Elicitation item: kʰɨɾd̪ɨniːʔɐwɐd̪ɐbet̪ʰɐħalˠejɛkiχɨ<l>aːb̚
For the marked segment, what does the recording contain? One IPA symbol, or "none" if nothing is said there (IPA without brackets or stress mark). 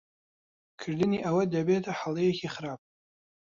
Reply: ɾ